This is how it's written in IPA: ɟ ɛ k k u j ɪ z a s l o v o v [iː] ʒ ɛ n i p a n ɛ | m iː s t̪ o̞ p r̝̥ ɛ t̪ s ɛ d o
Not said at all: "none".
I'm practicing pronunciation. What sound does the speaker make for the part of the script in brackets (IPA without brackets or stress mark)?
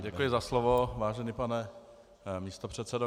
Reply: aː